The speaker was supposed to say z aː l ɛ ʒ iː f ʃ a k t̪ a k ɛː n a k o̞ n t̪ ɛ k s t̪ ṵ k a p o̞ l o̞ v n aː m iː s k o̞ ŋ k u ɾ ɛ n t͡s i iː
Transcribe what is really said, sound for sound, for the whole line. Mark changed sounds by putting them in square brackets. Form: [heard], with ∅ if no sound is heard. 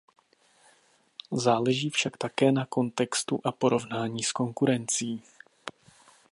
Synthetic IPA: z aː l ɛ ʒ iː f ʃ a k t̪ a k ɛː n a k o̞ n t̪ ɛ k s t̪ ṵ [ʔ] a p o̞ [ɾ] o̞ v n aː [ɲ] iː s k o̞ ŋ k u ɾ ɛ n t͡s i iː